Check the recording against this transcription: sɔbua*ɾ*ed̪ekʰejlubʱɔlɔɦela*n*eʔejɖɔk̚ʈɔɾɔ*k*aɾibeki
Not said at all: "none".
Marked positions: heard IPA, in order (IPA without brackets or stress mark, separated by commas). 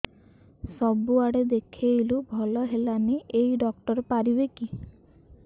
ɽ, n, p